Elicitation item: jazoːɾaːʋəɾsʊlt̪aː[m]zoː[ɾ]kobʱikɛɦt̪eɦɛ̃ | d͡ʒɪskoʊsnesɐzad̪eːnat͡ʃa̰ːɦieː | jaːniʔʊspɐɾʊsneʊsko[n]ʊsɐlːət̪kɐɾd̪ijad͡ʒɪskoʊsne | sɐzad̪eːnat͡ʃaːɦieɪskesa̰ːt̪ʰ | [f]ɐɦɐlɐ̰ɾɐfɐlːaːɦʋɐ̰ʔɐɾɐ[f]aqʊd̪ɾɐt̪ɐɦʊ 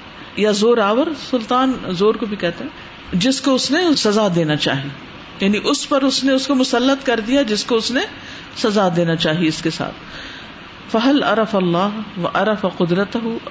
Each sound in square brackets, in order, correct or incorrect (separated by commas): incorrect, correct, incorrect, correct, correct